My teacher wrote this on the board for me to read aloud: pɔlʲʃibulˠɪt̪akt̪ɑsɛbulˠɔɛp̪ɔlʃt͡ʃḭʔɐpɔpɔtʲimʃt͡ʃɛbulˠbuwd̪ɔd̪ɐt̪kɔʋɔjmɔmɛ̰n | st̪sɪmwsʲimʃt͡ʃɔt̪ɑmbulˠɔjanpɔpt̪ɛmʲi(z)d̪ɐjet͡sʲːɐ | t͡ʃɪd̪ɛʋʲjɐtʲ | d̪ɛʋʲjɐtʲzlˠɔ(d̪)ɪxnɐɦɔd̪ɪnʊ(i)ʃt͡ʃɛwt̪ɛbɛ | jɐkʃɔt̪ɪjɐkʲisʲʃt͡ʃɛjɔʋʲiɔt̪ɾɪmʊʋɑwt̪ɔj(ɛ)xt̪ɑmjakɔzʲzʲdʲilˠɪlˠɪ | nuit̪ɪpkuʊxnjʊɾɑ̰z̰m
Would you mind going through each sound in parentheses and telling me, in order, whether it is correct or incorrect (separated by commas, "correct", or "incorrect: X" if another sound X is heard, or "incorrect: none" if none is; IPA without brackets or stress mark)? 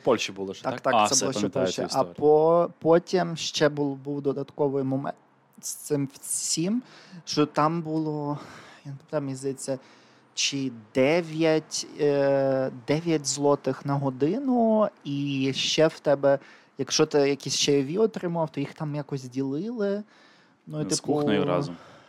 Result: correct, incorrect: t̪, correct, incorrect: i